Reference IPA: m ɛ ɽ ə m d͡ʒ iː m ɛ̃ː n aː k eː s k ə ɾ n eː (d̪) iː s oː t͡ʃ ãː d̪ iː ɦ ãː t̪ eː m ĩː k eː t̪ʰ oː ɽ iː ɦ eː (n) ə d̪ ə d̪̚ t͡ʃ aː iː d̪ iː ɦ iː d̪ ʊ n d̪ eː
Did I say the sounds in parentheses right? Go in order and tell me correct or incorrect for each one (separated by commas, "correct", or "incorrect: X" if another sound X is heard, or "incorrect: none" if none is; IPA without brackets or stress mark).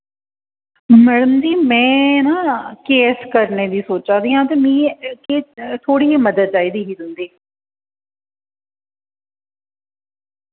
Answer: correct, incorrect: m